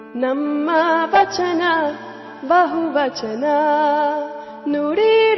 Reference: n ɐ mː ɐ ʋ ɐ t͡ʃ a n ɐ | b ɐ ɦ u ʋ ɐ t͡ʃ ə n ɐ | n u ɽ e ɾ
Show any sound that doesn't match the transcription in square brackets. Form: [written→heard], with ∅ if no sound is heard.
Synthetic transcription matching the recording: n ɐ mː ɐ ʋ ɐ t͡ʃ [a→ɐ] n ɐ | b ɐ ɦ u ʋ ɐ t͡ʃ [ə→ɐ] n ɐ | n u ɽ [e→i] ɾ

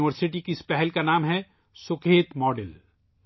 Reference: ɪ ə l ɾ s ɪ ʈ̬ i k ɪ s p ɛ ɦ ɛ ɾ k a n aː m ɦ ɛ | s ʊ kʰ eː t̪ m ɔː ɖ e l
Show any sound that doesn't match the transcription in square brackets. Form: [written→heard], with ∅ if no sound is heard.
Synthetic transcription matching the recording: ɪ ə [l→∅] ɾ s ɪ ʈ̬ i k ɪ s p ɛ ɦ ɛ [ɾ→l] k a n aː m ɦ ɛ | s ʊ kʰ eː t̪ m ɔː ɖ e l

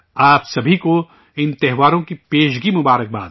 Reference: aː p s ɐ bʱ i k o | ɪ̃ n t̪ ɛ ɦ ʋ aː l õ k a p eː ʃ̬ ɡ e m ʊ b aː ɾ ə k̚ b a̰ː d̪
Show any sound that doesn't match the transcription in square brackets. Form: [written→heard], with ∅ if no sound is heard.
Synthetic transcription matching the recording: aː p s ɐ bʱ i k o | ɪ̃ n t̪ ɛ ɦ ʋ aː [l→ɾ] õ k [a→i] p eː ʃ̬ ɡ [e→i] m ʊ b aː ɾ ə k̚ b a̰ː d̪

